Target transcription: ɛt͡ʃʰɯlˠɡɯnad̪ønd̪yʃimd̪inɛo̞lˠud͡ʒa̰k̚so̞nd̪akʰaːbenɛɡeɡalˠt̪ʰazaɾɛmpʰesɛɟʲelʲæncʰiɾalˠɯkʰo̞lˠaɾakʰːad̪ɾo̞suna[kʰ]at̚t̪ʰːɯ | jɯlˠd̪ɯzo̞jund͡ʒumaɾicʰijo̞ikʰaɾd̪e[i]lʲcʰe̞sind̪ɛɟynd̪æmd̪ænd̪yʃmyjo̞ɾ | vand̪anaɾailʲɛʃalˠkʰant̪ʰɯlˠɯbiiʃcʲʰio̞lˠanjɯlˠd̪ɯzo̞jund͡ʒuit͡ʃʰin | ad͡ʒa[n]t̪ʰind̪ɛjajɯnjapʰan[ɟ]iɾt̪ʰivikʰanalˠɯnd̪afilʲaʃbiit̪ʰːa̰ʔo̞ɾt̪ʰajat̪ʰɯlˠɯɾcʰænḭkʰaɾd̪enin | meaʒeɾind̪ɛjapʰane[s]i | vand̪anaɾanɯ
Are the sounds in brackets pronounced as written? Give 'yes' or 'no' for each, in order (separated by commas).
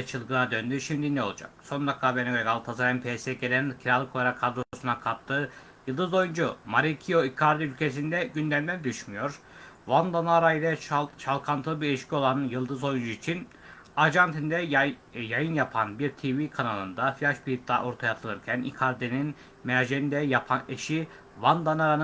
yes, no, yes, no, no